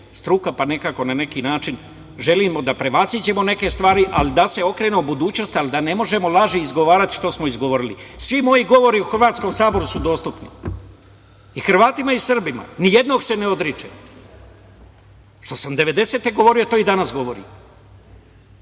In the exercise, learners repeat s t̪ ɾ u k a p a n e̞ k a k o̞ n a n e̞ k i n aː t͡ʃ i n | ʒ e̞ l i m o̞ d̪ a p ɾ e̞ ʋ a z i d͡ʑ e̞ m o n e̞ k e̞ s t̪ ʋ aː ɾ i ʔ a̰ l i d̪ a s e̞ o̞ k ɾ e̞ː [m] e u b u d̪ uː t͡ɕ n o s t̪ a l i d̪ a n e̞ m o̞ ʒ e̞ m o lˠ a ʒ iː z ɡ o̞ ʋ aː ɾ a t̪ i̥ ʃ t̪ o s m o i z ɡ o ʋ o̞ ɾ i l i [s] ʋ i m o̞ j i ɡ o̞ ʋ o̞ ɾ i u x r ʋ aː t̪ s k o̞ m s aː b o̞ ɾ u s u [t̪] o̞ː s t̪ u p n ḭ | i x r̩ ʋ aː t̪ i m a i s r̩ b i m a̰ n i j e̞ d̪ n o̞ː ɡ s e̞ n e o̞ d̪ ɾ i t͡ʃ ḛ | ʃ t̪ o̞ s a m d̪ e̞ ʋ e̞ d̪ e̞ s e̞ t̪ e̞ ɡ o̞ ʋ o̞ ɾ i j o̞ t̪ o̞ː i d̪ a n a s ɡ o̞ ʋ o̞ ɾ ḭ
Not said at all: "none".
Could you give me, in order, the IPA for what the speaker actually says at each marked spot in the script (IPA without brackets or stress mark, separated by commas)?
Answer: n, s, d̪